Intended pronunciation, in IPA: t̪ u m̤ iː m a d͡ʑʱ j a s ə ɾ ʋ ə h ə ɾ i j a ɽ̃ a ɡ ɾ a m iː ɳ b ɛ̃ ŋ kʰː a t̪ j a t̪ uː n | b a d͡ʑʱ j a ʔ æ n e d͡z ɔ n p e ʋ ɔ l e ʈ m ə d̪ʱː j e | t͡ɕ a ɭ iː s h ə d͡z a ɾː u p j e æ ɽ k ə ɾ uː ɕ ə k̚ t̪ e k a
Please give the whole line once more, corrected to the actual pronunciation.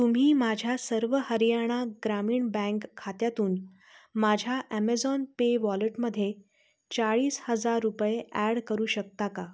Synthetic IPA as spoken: t̪ u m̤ iː m a d͡ʑʱ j a s ə ɾ ʋ ə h ə ɾ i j a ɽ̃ a ɡ ɾ a m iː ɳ b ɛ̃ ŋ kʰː a t̪ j a t̪ uː n | m a d͡ʑʱ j a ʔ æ m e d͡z ɔ n p e ʋ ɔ l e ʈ m ə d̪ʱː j e | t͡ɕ a ɭ iː s h ə d͡z a ɾː u p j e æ ɽ k ə ɾ uː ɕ ə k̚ t̪ a k a